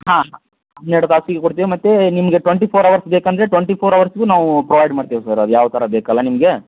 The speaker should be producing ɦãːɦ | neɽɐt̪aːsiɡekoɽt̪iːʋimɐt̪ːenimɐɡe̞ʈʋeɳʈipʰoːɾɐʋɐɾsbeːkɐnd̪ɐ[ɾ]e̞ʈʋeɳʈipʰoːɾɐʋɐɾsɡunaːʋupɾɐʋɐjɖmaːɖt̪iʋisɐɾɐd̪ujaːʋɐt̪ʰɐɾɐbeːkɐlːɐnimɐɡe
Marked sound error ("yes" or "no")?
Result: no